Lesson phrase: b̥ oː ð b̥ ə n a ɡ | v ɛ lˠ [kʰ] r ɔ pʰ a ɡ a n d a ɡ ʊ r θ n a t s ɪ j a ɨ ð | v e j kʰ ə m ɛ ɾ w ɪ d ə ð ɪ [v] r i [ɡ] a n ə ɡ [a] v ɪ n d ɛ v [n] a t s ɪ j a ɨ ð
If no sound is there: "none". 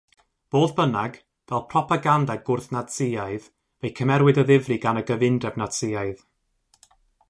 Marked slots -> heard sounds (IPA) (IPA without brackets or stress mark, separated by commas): pʰ, v, ɡ, ə, n